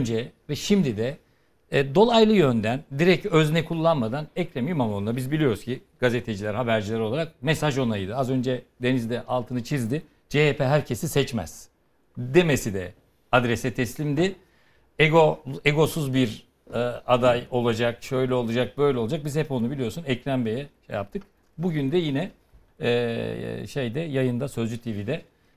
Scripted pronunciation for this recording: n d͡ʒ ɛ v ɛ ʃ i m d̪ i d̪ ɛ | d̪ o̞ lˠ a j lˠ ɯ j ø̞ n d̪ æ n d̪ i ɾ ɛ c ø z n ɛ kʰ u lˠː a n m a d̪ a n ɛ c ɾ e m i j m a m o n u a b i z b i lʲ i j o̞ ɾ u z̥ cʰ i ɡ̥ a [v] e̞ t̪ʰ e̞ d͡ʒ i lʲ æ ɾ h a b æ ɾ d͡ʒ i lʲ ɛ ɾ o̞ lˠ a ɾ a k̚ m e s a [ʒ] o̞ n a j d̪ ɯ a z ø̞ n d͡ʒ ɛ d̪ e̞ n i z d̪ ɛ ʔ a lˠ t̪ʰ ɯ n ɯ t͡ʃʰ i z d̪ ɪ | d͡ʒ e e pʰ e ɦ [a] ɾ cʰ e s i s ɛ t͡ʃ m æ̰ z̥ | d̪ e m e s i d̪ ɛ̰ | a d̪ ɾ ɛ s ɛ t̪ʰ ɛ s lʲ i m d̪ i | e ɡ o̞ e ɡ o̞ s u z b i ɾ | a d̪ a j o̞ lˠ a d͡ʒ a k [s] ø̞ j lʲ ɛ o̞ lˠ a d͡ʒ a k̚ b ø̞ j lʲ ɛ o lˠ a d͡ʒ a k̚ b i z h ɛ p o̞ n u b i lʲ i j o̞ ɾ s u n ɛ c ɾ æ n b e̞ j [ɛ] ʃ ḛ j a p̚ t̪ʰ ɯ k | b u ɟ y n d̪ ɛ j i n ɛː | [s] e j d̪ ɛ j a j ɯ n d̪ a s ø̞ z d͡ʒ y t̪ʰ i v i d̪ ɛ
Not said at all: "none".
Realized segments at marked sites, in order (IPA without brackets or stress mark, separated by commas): z, ʒ, æ, ʃ, ɛ, ʃ